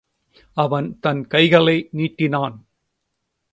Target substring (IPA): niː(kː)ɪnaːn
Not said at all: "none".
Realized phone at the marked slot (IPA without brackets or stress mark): ʈː